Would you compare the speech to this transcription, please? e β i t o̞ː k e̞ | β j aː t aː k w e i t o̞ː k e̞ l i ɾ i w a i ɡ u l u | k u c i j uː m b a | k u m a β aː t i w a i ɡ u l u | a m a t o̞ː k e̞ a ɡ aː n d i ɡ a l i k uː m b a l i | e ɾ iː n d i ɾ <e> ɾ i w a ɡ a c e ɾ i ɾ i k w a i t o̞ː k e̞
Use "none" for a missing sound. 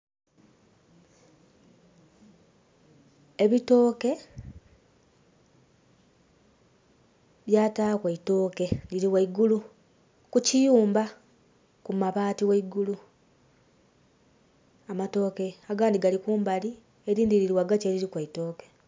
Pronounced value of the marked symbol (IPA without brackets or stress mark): i